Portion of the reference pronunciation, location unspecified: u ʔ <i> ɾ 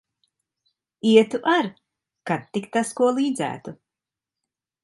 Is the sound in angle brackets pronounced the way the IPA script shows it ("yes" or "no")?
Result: no